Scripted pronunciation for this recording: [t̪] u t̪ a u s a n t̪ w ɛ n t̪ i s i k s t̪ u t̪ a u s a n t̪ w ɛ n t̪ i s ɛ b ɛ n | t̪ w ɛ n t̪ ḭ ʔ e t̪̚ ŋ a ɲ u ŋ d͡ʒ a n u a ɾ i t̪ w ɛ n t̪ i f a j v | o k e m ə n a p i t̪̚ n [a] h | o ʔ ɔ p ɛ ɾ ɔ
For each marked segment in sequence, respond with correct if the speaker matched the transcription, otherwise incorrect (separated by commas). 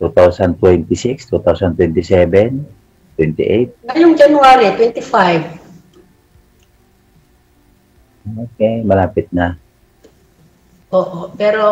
correct, correct